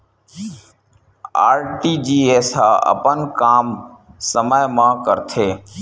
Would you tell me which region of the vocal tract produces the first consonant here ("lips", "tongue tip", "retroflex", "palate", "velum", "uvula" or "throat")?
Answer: tongue tip